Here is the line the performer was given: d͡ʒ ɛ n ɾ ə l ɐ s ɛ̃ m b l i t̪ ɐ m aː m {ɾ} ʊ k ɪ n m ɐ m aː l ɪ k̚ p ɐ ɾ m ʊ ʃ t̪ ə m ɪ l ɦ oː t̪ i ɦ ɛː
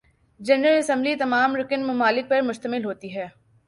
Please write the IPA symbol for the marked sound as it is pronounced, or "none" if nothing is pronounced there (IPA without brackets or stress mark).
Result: ɾ